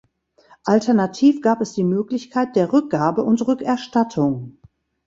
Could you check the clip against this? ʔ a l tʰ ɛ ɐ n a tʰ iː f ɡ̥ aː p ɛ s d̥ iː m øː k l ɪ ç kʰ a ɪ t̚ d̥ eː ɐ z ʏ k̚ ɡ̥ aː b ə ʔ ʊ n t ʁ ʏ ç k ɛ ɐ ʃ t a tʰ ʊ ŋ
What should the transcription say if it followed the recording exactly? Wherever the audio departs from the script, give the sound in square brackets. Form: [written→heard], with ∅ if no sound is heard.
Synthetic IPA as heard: ʔ a l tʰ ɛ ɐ n a tʰ iː f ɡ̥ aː p ɛ s d̥ iː m øː k l ɪ ç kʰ a ɪ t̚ d̥ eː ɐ [z→ʁ] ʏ k̚ ɡ̥ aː b ə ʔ ʊ n t ʁ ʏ [ç→∅] k ɛ ɐ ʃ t a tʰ ʊ ŋ

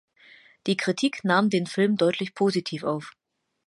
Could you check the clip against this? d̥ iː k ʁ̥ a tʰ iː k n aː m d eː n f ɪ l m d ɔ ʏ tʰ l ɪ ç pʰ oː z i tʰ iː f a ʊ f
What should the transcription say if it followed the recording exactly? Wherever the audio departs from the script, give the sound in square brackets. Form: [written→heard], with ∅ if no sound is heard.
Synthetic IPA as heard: d̥ iː k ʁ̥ [a→i] tʰ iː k n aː m d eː n f ɪ l m d ɔ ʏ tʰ l ɪ ç pʰ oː z i tʰ iː f a ʊ f

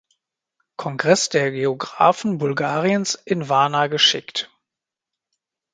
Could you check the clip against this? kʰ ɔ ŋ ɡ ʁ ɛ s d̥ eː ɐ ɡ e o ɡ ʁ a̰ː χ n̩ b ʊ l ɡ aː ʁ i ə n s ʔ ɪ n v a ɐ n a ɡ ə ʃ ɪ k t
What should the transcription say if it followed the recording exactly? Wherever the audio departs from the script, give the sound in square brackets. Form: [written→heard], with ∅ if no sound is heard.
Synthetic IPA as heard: kʰ ɔ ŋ ɡ ʁ ɛ s d̥ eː ɐ ɡ e o ɡ ʁ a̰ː [χ→f] n̩ b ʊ l ɡ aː ʁ i ə n s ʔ ɪ n v a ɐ n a ɡ ə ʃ ɪ k t

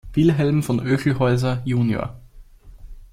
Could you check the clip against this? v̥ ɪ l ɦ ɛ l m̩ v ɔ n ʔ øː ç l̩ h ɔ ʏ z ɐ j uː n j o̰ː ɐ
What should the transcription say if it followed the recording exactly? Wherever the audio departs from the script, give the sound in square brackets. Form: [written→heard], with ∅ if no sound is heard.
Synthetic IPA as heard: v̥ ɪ l ɦ ɛ l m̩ [v→f] ɔ n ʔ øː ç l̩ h ɔ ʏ z ɐ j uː n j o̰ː ɐ

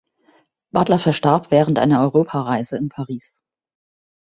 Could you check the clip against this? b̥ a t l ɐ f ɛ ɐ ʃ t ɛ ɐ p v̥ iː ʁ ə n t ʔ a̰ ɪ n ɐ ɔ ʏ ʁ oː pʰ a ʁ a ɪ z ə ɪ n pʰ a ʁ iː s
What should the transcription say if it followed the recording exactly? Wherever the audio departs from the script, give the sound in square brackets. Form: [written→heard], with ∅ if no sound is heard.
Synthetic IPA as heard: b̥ a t l ɐ f ɛ ɐ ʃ t [ɛ→a] ɐ p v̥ [iː→ɛː] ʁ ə n t ʔ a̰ ɪ n ɐ ɔ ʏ ʁ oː pʰ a ʁ a ɪ z ə ɪ n pʰ a ʁ iː s

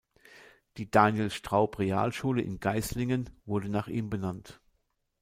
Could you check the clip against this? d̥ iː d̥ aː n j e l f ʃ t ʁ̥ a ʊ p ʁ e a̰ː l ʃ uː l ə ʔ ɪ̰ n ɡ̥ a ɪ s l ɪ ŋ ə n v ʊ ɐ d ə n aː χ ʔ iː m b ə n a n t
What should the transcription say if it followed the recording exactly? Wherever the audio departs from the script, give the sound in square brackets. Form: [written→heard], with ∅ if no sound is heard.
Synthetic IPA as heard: d̥ iː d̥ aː n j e l [f→s] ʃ t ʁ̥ a ʊ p ʁ e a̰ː l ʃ uː l ə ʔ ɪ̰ n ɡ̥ a ɪ s l ɪ ŋ ə n v ʊ ɐ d ə n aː χ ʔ iː m b ə n a n t

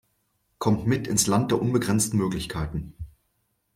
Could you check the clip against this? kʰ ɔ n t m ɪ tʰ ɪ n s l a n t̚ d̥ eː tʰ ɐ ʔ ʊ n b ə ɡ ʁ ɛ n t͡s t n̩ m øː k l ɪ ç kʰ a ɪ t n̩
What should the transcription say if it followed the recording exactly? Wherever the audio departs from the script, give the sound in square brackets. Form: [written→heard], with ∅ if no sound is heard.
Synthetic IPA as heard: kʰ ɔ [n→m] t m ɪ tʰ ɪ n s l a n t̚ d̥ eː [tʰ→∅] ɐ ʔ ʊ n b ə ɡ ʁ ɛ n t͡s t n̩ m øː k l ɪ ç kʰ a ɪ t n̩

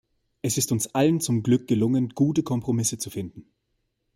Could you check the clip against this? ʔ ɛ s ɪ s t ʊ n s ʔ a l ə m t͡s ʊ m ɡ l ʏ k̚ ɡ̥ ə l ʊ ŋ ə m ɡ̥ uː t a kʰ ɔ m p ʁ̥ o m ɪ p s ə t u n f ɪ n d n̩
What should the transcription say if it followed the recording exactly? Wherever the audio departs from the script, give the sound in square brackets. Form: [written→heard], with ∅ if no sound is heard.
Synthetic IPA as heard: ʔ ɛ s ɪ s t ʊ n s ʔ a l ə [m→n] t͡s ʊ m ɡ l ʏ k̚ ɡ̥ ə l ʊ ŋ ə [m→n] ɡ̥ uː t [a→ə] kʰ ɔ m p ʁ̥ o m ɪ [p→∅] s ə [t→t͡s] u [n→∅] f ɪ n d n̩

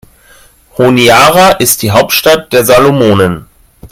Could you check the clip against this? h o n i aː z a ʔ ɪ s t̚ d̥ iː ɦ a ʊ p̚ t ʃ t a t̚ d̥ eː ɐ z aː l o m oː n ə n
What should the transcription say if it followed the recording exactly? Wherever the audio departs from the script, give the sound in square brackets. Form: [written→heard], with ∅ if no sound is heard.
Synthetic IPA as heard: h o n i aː [z→ʁ] a ʔ ɪ s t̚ d̥ iː ɦ a ʊ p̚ t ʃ t a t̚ d̥ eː ɐ z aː l o m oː n ə n

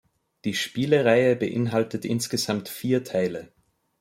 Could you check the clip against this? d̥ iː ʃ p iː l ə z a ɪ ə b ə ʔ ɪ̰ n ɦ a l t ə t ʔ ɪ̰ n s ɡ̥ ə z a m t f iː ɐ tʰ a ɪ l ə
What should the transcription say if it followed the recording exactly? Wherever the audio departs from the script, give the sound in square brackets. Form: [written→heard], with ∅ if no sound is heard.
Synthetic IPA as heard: d̥ iː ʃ p iː l ə [z→ʁ] a ɪ ə b ə ʔ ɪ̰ n ɦ a l t ə t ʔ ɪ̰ n s ɡ̥ ə z a m t f iː ɐ tʰ a ɪ l ə

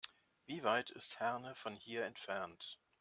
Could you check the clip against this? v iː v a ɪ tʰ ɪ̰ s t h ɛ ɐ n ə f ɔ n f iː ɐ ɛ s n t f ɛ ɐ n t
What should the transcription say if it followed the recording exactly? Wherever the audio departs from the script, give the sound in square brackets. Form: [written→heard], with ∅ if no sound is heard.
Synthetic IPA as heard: v iː v a ɪ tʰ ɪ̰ s t h ɛ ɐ n ə f ɔ n [f→h] iː ɐ ɛ [s→∅] n t f ɛ ɐ n t

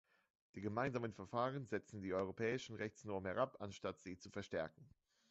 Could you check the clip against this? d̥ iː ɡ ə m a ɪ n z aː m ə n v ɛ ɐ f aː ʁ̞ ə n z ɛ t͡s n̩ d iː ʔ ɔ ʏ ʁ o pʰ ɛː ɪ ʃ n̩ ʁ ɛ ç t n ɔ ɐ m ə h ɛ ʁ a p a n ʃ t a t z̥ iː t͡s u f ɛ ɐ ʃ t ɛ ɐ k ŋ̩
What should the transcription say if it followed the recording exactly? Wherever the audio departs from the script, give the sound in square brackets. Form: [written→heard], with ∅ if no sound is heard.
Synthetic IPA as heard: d̥ iː ɡ ə m a ɪ n z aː m ə n [v→f] ɛ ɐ f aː ʁ̞ ə n z ɛ t͡s n̩ d iː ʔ ɔ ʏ ʁ o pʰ ɛː ɪ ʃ n̩ ʁ ɛ ç [t→t͡s] n ɔ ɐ m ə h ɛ ʁ a p a n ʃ t a t z̥ iː t͡s u f ɛ ɐ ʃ t ɛ ɐ k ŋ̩

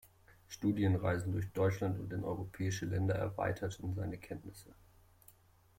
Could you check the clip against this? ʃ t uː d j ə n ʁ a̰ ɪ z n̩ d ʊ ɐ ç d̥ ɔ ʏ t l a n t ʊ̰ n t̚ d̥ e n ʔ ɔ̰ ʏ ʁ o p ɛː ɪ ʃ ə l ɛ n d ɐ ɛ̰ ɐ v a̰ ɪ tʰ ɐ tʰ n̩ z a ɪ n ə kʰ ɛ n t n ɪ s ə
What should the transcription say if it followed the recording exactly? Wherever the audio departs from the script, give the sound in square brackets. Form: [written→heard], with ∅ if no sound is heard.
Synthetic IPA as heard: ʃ t uː d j ə n ʁ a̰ ɪ z n̩ d ʊ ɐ ç d̥ ɔ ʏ [t→t͡ʃ] l a n t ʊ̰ n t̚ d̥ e n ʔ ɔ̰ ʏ ʁ o [p→pʰ] ɛː ɪ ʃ ə l ɛ n d ɐ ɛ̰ ɐ v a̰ ɪ tʰ ɐ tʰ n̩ z a ɪ n ə kʰ ɛ n t n ɪ s ə

